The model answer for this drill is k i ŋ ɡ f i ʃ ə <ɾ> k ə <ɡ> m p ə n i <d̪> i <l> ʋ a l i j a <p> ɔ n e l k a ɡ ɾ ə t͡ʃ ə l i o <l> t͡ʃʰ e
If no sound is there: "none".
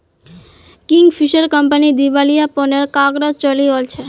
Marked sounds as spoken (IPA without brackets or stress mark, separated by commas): ɾ, none, d̪, none, p, l